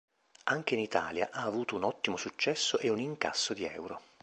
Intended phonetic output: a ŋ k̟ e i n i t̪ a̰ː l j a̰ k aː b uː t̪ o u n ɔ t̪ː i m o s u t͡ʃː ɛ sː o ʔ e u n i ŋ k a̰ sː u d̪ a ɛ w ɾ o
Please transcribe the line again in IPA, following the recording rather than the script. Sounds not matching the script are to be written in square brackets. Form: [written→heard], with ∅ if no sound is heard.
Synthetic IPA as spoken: a ŋ k̟ e i n i t̪ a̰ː l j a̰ [k→ʔ] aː [b→v] uː t̪ o u n ɔ t̪ː i m o s u t͡ʃː ɛ sː o ʔ e u n i ŋ k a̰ sː [u→o] d̪ [a→i] ɛ w ɾ o